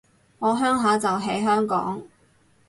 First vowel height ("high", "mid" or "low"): mid